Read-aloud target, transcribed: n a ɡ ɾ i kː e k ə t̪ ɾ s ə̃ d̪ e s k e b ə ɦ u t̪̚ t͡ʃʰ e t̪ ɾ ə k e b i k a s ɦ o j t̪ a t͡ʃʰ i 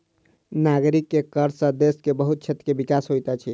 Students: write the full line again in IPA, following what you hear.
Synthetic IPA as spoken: n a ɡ ɾ i kː e k ə ɾ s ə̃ d̪ e s k e b ə ɦ u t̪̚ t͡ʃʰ e t̪ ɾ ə k e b i k a s ɦ o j t̪ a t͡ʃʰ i